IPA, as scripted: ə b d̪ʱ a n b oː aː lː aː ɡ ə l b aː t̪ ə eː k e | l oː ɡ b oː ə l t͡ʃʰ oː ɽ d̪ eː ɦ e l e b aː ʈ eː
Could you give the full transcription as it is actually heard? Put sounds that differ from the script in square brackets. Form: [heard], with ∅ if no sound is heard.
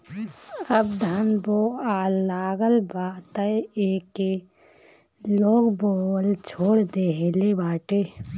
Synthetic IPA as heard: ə b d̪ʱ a n b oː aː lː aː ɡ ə l b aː t̪ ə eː k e | l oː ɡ b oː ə l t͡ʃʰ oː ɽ d̪ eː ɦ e l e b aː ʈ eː